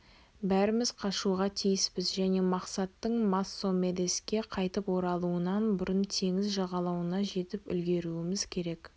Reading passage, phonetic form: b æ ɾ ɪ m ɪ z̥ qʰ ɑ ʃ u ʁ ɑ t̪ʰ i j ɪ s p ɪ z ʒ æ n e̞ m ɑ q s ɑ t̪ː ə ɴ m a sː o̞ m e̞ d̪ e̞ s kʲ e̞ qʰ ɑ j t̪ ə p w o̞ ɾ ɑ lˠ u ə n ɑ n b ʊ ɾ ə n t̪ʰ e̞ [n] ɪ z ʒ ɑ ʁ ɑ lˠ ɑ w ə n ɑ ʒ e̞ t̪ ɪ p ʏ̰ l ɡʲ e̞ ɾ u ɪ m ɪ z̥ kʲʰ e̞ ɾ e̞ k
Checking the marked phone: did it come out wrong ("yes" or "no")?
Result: yes